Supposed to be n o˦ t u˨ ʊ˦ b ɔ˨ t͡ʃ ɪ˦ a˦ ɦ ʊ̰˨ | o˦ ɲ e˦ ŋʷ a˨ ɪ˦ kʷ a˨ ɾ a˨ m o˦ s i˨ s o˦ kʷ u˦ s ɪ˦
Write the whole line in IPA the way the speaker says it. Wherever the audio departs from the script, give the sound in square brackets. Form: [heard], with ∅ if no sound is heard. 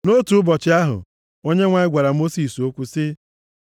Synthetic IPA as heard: n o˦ t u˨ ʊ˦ b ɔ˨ t͡ʃ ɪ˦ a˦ ɦ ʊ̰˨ | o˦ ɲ e˦ ŋʷ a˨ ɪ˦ [ɡʷ] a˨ ɾ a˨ m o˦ s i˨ s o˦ kʷ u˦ s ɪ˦